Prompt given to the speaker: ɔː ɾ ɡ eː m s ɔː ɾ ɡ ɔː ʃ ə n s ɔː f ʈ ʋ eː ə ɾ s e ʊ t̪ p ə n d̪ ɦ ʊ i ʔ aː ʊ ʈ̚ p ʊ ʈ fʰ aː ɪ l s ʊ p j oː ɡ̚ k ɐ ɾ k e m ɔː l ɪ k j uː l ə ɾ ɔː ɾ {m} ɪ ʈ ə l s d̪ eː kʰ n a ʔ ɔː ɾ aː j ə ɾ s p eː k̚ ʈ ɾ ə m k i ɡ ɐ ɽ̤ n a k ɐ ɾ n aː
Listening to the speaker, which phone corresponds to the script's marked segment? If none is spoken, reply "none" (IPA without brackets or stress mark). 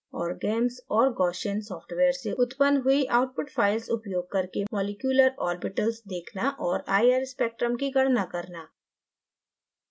b